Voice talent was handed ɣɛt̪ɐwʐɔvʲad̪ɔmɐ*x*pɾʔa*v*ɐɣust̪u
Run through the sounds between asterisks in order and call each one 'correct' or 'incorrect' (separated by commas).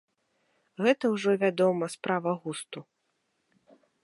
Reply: incorrect, correct